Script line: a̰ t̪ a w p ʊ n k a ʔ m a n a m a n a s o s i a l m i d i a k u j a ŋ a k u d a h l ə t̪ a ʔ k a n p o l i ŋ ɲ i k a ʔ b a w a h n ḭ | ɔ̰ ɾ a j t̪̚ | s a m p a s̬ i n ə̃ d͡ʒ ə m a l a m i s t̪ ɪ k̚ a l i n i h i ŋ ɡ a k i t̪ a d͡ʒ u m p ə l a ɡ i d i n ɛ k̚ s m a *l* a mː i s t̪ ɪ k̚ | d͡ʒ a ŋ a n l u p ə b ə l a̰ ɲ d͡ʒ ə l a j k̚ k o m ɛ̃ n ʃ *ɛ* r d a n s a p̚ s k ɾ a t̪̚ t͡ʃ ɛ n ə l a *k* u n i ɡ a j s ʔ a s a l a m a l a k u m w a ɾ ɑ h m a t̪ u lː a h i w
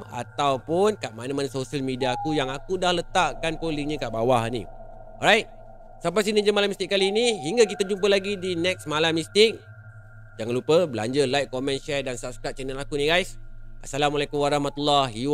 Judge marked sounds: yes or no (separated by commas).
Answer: yes, yes, yes